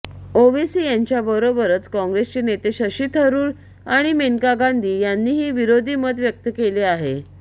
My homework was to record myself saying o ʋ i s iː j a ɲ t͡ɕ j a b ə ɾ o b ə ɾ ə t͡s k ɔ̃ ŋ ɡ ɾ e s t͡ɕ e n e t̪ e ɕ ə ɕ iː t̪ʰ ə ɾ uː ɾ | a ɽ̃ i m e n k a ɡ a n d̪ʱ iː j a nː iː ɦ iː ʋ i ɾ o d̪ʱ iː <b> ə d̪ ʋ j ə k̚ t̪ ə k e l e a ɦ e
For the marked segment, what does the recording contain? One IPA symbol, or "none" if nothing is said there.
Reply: m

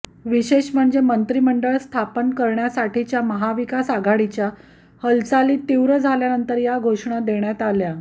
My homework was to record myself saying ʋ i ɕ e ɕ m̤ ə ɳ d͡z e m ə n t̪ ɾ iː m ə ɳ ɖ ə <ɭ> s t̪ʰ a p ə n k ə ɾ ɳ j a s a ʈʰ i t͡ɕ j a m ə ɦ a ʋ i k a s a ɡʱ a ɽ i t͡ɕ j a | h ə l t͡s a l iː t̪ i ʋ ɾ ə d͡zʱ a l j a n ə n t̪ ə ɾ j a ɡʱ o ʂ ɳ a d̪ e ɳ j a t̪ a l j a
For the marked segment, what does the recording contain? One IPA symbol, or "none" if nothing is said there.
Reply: ɭ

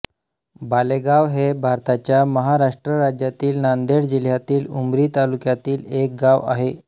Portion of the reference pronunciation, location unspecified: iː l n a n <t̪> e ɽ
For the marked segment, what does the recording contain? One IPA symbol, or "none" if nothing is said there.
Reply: d̪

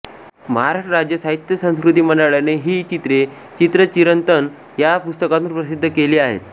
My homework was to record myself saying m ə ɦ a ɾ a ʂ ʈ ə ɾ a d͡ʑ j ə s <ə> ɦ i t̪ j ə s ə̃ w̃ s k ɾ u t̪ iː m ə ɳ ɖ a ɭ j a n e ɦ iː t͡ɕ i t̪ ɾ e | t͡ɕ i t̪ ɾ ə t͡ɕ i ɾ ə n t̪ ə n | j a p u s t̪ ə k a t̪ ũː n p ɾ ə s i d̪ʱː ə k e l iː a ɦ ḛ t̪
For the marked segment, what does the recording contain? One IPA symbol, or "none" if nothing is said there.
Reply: a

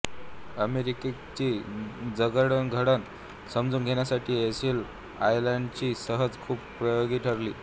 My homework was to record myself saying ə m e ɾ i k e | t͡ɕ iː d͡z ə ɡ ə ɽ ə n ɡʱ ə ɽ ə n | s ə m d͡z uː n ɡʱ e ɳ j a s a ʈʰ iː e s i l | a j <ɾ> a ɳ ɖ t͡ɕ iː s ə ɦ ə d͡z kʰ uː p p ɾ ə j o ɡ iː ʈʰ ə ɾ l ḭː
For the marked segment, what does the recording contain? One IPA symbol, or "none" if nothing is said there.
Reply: l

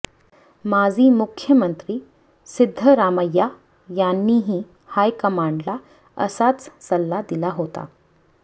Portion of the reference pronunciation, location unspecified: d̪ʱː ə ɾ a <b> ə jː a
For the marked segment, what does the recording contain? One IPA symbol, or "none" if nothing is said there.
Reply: m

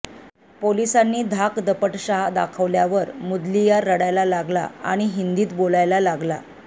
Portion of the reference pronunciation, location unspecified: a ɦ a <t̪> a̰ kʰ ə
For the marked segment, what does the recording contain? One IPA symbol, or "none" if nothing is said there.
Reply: d̪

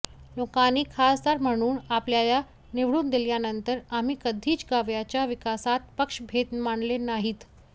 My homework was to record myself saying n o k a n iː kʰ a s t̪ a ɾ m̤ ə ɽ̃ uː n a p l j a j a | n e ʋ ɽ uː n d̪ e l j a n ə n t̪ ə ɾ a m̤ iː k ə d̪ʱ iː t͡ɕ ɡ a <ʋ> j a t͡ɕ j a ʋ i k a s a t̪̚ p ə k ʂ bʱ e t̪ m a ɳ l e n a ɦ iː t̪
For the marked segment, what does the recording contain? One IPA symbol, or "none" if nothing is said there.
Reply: ʋ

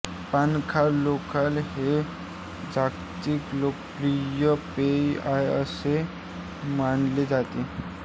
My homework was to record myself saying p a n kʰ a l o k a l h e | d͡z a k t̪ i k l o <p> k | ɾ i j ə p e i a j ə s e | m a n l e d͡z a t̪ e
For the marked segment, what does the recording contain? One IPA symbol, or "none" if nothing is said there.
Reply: none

